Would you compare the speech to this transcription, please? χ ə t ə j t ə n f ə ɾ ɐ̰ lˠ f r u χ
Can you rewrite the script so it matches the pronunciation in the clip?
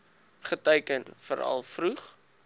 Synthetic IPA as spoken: χ ə t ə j k ə n f ə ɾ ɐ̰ lˠ f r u χ